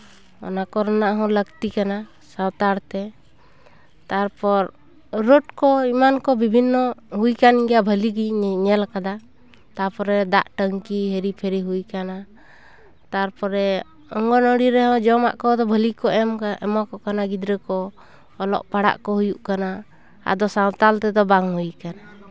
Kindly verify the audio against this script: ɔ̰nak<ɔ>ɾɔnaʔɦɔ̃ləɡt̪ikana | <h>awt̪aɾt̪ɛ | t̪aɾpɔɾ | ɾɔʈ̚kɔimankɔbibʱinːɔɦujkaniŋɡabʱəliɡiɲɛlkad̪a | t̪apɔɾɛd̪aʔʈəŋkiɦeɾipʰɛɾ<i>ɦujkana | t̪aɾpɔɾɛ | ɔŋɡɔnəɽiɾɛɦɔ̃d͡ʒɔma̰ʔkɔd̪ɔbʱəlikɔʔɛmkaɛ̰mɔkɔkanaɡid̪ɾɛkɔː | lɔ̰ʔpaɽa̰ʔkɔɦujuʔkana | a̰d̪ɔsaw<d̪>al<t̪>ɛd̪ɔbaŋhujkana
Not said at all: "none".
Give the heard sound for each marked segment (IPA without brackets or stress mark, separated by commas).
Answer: ɔ, s, i, t̪, t̪